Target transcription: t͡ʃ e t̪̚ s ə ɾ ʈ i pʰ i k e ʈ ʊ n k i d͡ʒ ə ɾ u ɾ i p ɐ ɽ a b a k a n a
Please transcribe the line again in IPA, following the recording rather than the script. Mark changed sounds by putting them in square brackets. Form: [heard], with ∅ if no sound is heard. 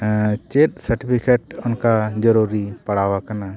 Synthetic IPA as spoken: t͡ʃ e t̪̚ s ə ɾ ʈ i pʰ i k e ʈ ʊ n k [a] d͡ʒ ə ɾ u ɾ i p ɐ ɽ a [w] a k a n a

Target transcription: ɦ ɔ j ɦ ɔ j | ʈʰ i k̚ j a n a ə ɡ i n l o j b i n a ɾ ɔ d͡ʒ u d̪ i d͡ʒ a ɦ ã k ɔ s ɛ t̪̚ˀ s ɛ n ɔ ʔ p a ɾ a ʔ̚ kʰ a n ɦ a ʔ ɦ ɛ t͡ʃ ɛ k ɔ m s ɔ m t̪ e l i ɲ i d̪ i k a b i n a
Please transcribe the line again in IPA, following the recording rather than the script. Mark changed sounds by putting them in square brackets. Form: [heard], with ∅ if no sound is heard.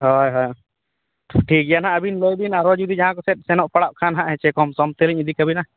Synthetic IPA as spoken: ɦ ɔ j ɦ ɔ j | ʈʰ i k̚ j a n a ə [b] i n l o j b i n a ɾ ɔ d͡ʒ u d̪ i d͡ʒ a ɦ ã k ɔ s ɛ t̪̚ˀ s ɛ n ɔ ʔ p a [ɽ] a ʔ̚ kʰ a n ɦ a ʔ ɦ ɛ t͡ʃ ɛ k ɔ m s ɔ m t̪ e l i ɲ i d̪ i k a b i n a

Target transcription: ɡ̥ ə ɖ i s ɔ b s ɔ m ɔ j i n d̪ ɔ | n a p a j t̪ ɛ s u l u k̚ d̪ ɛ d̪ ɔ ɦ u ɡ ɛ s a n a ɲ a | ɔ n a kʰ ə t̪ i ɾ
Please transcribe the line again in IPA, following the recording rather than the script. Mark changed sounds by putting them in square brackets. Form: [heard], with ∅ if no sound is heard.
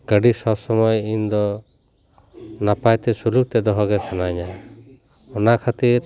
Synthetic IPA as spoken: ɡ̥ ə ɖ i s ɔ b s ɔ m ɔ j i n d̪ ɔ | n a p a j t̪ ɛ s u l u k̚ [t̪] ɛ d̪ ɔ ɦ [ɔ] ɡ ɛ s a n a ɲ a | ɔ n a kʰ [a] t̪ i ɾ

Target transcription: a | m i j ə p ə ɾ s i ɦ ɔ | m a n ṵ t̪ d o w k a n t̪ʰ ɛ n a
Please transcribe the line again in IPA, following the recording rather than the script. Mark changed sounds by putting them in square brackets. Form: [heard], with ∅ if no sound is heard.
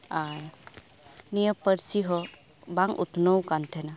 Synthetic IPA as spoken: a | [n] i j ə p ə ɾ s i ɦ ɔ | [b] a [ŋ] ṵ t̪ [n] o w k a n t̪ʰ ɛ n a

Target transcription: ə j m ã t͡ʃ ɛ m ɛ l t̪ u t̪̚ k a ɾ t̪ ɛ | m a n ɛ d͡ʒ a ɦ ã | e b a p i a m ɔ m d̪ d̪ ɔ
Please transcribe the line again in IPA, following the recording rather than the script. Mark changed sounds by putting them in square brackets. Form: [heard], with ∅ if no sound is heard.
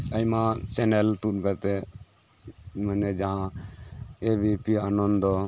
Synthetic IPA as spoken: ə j m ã t͡ʃ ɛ [n] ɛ l t̪ u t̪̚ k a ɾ t̪ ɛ | m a n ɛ d͡ʒ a ɦ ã | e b [i] p i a [n] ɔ [n] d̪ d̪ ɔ

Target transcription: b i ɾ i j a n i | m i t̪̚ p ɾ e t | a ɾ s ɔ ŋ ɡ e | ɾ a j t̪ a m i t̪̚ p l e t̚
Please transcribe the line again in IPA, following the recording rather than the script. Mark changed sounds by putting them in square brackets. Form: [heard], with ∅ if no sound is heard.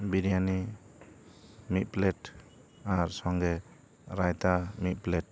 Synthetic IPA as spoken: b i ɾ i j a n i | m i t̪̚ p [l] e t | a ɾ s ɔ ŋ ɡ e | ɾ a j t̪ a m i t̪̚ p l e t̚

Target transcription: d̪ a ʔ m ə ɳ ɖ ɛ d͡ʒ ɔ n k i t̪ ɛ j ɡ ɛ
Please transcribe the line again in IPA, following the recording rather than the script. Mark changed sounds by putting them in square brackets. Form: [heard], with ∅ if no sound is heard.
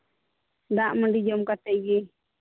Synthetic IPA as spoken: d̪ a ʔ m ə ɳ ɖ [i] d͡ʒ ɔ [m] k [a] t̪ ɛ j ɡ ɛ

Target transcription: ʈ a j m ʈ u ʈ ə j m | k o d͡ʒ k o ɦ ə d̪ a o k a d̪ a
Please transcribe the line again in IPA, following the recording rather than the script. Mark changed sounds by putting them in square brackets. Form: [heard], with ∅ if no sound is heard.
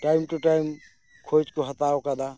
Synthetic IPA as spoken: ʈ a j m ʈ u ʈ [a] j m | [kʰ] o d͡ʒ k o ɦ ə [t̪] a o k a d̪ a

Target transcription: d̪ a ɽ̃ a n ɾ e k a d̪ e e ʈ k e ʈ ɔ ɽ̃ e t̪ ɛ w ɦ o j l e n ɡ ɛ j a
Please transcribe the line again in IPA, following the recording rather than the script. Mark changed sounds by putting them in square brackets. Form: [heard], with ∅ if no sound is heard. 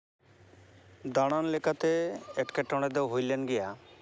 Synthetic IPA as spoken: d̪ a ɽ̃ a n [l] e k a [t̪] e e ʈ k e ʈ ɔ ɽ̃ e [d̪] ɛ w ɦ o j l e n ɡ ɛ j a

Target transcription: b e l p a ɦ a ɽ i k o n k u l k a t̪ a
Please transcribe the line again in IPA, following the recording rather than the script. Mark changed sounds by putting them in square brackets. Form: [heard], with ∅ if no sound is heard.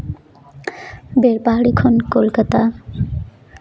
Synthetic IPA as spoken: b e [ɾ] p a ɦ a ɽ i [kʰ] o n k [o] l k a t̪ a

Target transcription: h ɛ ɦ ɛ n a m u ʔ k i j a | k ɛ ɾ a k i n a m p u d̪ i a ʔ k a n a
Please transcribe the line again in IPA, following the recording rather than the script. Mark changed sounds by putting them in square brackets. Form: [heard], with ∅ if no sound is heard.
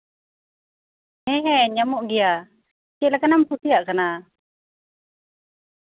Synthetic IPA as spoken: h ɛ ɦ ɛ [ɲ] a m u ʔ [ɡ] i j a | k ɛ [l] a k [a] n a m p u [t̪] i a ʔ k a n a

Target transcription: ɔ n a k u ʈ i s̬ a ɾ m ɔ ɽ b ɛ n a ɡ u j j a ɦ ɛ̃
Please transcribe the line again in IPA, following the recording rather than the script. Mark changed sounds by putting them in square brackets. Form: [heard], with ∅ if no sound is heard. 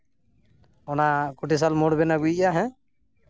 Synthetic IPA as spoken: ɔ n a k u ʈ i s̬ a [l] m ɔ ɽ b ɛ n a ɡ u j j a ɦ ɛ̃

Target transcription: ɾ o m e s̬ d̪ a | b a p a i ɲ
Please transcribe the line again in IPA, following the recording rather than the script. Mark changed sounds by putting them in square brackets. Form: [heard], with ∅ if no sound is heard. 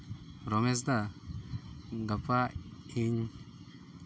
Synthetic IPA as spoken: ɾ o m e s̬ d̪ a | [ɡ] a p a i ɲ

